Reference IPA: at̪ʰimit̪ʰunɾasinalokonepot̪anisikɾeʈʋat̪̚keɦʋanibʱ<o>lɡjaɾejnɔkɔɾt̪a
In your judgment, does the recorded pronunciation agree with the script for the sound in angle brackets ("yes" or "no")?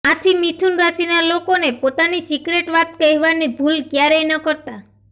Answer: no